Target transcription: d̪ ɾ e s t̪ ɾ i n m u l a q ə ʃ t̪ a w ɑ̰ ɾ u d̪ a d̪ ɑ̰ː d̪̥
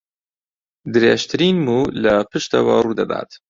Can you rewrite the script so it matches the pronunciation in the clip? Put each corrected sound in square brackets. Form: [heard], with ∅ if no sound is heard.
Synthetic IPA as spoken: d̪ ɾ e [ʃ] t̪ ɾ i n m u l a [p] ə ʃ t̪ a w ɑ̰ ɾ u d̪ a d̪ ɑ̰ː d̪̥